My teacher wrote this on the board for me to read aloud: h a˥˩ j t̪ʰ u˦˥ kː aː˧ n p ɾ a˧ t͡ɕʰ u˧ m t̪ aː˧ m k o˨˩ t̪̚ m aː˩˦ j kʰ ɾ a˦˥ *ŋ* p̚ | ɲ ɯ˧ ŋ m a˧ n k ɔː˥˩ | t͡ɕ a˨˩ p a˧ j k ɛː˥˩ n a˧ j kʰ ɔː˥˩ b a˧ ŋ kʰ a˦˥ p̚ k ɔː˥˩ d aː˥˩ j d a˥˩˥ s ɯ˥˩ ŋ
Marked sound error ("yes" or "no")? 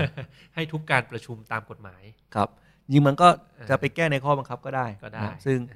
yes